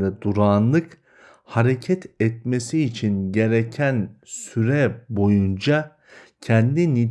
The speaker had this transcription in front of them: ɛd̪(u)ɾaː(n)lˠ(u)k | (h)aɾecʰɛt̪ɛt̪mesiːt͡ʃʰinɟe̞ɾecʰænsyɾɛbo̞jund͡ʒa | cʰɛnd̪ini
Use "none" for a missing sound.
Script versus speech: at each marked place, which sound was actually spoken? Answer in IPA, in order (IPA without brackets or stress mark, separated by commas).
u, n, ɯ, h